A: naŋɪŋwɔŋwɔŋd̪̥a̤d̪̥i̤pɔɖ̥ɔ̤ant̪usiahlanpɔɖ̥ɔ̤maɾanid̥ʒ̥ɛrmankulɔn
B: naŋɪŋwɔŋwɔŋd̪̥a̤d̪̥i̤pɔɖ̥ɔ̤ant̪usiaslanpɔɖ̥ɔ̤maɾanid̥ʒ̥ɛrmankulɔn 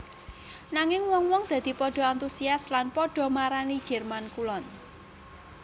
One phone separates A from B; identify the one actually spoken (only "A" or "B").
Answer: B